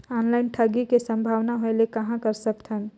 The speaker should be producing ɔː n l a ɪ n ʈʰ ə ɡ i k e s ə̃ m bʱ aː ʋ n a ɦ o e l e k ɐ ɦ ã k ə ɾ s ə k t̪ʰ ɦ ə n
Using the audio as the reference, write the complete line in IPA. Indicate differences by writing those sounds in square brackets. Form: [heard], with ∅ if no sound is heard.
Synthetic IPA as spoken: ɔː n l a ɪ n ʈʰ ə ɡ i k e s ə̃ m bʱ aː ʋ n a ɦ o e l e k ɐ ɦ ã k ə ɾ s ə k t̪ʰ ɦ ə n